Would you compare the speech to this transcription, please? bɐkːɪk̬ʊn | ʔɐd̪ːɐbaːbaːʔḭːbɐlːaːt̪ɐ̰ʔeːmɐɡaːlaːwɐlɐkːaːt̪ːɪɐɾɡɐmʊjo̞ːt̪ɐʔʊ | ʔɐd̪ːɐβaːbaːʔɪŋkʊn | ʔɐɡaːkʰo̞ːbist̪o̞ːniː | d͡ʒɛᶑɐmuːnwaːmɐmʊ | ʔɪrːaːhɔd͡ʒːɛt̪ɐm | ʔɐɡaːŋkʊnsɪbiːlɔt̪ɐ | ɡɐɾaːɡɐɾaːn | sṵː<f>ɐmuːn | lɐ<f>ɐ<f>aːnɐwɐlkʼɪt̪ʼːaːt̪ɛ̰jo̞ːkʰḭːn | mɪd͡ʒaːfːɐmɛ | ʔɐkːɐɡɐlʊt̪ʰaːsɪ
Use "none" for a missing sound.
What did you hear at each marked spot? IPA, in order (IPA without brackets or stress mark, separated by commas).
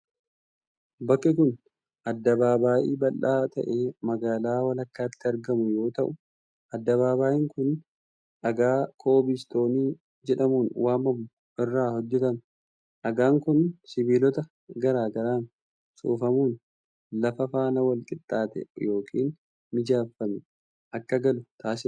f, f, f